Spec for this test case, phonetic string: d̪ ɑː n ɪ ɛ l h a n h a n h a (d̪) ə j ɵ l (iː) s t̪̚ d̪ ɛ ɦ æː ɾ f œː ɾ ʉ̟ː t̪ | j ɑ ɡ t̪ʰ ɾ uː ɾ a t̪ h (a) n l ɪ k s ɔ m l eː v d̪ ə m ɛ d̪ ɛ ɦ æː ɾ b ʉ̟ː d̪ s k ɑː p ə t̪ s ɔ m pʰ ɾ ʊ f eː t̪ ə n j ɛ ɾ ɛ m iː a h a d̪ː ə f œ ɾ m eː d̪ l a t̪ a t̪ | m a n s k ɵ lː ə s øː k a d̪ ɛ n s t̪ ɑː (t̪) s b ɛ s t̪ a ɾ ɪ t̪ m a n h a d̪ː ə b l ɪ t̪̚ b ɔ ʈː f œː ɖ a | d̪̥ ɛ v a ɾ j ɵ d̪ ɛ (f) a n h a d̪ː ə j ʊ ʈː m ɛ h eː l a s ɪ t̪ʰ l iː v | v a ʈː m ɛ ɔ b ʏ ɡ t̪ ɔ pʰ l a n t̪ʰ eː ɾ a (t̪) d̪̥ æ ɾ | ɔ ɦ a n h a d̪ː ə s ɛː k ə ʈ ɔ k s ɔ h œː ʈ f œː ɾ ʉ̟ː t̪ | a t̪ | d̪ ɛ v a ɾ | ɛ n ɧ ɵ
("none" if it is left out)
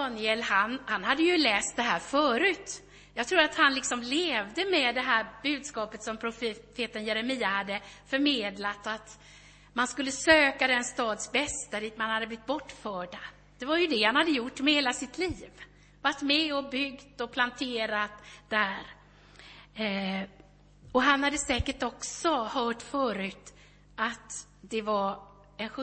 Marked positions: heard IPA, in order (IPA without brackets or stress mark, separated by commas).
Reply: d̪ː, ɛː, a, d̪, h, t̪